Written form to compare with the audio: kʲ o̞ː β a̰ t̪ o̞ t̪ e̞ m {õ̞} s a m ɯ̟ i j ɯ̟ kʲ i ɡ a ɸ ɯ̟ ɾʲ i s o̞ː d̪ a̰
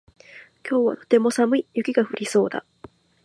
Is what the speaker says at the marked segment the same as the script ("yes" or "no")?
no